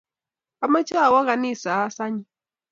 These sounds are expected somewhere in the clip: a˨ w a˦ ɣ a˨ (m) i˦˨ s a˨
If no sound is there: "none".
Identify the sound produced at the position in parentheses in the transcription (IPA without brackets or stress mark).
n